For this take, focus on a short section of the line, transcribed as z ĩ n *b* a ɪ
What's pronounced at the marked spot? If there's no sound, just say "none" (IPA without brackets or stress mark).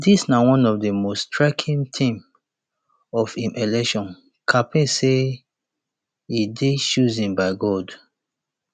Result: b